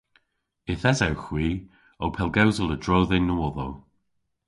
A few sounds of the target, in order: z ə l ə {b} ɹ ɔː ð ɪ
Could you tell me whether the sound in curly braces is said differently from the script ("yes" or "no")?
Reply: yes